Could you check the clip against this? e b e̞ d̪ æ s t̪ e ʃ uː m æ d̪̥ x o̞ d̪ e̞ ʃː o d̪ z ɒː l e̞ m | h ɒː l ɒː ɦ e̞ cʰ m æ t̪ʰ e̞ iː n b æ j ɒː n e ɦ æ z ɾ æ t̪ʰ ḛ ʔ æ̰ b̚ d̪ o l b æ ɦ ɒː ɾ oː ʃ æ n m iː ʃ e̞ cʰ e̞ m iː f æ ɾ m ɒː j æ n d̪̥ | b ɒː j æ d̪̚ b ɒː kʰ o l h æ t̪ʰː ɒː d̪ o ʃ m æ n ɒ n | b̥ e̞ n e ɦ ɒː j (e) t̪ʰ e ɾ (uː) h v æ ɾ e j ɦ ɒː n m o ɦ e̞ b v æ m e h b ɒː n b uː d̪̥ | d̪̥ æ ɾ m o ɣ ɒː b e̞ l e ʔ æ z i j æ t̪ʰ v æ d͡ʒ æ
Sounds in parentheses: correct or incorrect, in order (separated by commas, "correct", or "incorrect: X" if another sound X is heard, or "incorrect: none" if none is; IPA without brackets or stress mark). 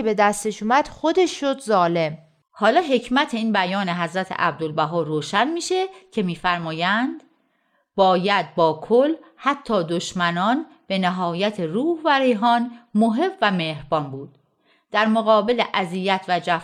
incorrect: æ, correct